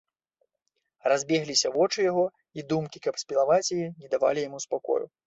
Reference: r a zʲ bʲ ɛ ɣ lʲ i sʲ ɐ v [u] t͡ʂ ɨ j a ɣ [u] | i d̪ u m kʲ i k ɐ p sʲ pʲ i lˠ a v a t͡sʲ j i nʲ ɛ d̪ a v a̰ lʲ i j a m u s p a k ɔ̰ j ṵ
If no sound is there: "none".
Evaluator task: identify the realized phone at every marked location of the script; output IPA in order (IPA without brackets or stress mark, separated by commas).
ɔ, ɔ